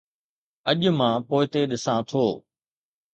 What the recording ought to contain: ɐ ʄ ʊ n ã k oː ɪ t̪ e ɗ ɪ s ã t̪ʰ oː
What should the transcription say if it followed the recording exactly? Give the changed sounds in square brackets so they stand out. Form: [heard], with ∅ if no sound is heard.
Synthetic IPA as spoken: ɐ ʄ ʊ [m] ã [p] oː ɪ t̪ e ɗ ɪ s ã t̪ʰ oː